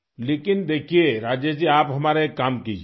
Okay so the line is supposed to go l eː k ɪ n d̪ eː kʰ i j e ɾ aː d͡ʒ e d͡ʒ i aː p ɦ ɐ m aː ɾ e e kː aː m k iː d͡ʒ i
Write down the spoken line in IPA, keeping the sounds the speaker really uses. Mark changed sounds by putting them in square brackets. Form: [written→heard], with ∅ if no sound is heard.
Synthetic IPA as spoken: l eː k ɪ n d̪ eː kʰ i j e ɾ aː d͡ʒ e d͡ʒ i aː p ɦ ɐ m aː ɾ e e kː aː m k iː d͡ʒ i

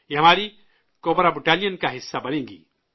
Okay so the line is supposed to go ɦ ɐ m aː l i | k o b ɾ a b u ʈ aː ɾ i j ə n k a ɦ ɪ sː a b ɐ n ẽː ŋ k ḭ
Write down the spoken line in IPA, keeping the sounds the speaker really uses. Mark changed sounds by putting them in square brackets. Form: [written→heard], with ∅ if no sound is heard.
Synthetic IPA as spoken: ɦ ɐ m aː [l→ɾ] i | k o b ɾ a b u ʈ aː [ɾ→l] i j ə n k a ɦ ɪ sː a b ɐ n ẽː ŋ [k→ɡ] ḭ

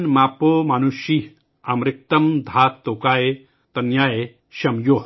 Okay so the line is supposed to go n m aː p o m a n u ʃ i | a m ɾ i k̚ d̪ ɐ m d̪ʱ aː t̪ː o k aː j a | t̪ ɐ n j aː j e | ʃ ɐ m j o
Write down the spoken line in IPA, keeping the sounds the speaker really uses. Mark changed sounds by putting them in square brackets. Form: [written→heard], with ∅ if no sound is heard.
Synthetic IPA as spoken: n m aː p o m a n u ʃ i | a m ɾ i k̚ [d̪→t̪] ɐ m d̪ʱ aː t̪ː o k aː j [a→e] | t̪ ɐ n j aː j e | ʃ ɐ m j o

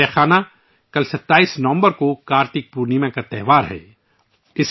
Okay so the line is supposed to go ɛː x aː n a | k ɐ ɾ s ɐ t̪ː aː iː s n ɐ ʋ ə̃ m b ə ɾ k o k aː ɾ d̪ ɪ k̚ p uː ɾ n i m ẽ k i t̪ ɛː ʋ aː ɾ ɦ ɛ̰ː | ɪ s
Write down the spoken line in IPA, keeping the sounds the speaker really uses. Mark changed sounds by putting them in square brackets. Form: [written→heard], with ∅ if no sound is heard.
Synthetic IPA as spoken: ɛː x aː n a | k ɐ [ɾ→l] s ɐ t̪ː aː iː s n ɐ ʋ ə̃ m b ə ɾ k o k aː ɾ [d̪→t̪] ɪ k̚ p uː ɾ n i m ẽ k [i→a] t̪ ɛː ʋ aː ɾ ɦ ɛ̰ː | ɪ s

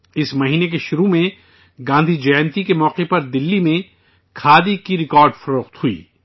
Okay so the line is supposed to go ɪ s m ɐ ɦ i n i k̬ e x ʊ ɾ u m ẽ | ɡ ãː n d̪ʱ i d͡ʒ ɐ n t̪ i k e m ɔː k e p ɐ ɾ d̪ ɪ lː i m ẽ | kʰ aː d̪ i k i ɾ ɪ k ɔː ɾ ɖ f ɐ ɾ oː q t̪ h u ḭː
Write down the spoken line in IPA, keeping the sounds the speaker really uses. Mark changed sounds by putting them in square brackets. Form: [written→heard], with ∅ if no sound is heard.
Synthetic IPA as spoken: ɪ s m ɐ ɦ [i→iː] n [i→e] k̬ e [x→ʃ] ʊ ɾ u m ẽ | ɡ ãː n d̪ʱ i d͡ʒ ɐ n t̪ i k e m ɔː [k→q] e p ɐ ɾ d̪ ɪ lː i m ẽ | kʰ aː d̪ i k i ɾ ɪ k ɔː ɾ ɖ f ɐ ɾ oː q t̪ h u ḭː

